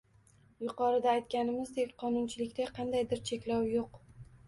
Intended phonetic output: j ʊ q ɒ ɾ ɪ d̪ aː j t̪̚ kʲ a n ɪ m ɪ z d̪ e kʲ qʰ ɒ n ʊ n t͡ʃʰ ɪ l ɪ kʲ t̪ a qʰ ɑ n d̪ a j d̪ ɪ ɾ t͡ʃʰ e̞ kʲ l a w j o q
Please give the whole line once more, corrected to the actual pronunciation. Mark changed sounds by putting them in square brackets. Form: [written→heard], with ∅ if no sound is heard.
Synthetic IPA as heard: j ʊ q ɒ ɾ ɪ d̪ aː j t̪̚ kʲ a n ɪ m ɪ z d̪ e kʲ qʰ ɒ n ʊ n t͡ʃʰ ɪ l ɪ kʲ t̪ a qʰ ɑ n d̪ a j d̪ ɪ ɾ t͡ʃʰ e̞ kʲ l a w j o q